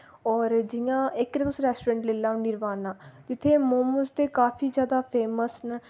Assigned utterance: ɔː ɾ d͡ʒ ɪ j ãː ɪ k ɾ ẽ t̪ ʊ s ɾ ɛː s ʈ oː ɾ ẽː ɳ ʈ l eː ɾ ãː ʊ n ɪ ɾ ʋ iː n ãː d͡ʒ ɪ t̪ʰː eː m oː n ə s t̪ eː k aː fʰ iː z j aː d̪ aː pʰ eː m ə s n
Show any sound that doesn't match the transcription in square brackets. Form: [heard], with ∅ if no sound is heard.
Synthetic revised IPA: ɔː ɾ d͡ʒ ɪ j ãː ɪ k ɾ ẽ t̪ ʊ s ɾ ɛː s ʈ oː ɾ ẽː ɳ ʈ l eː [l] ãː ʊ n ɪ ɾ ʋ [aː] n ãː d͡ʒ ɪ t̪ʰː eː m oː [m] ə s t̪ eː k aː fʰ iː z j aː d̪ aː pʰ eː m ə s n